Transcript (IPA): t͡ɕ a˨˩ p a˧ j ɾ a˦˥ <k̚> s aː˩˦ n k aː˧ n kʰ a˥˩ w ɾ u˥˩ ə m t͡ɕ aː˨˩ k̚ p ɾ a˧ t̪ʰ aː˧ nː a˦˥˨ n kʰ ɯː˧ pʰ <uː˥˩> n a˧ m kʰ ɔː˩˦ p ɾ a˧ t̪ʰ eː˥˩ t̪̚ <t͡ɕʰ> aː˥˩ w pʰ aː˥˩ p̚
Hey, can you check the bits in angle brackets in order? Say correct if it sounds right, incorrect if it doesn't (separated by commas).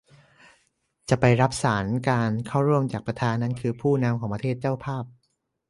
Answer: incorrect, correct, incorrect